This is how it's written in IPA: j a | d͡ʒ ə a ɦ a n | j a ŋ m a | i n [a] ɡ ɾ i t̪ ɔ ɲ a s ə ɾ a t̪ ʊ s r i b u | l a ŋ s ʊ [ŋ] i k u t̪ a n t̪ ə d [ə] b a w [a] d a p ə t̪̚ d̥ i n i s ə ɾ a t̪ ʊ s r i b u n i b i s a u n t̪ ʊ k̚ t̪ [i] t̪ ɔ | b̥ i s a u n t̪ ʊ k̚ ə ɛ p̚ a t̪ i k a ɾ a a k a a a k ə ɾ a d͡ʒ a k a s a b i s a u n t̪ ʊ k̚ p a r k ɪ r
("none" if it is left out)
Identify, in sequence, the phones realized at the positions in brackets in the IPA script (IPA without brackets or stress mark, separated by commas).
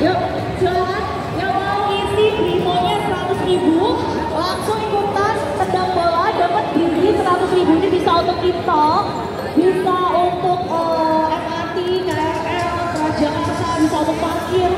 i, ŋ, a, a, i